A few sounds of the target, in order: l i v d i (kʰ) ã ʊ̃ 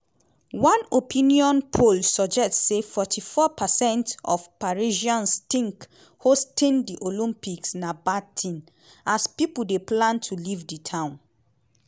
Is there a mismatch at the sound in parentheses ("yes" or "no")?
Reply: yes